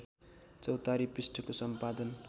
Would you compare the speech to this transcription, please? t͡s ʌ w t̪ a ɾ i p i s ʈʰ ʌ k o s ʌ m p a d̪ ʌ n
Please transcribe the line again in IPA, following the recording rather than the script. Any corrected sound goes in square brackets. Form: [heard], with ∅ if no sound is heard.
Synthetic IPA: t͡s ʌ w t̪ a ɾ i p i s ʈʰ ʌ k o s ʌ m p a d̪ ʌ n